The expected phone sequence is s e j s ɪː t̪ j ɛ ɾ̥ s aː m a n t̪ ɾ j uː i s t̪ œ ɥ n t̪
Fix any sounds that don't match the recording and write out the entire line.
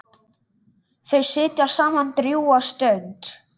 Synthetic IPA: θ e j s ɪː t̪ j a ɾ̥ s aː m a n t̪ ɾ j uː a s t̪ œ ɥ n t̪